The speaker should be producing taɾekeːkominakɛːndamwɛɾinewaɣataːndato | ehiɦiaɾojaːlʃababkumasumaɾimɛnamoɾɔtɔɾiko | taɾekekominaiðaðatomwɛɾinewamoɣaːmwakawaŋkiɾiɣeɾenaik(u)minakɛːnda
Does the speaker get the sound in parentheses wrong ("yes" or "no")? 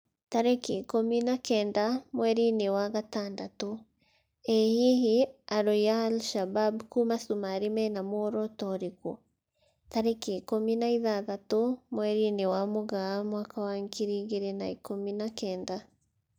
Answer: yes